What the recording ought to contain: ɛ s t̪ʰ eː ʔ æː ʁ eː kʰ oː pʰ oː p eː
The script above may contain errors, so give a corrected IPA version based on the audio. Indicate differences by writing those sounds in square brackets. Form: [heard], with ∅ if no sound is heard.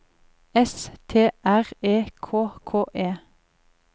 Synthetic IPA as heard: ɛ s t̪ʰ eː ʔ [æ] ʁ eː kʰ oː [kʰ] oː [ʔ] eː